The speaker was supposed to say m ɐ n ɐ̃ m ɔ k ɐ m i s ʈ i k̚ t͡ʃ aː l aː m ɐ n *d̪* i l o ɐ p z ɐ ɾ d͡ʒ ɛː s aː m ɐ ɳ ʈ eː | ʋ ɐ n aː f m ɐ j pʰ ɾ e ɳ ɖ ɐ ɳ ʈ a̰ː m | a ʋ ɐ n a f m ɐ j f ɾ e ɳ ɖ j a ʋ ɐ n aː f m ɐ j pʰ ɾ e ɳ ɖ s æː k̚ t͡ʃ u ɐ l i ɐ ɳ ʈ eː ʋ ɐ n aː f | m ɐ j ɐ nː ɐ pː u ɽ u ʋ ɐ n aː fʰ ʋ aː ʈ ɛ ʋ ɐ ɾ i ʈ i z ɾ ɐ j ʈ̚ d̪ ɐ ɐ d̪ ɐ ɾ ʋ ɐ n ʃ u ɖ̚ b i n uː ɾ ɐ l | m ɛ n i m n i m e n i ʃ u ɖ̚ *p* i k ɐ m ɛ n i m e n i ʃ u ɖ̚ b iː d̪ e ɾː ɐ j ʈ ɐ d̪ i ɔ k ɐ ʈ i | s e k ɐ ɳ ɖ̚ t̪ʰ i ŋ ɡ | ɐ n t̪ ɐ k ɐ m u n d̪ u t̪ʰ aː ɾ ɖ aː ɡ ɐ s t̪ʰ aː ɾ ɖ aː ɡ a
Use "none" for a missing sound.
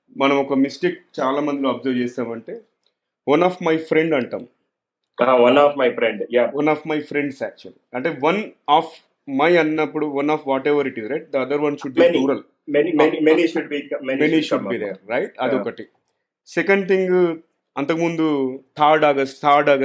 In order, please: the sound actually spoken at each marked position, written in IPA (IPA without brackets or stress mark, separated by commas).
d̪, b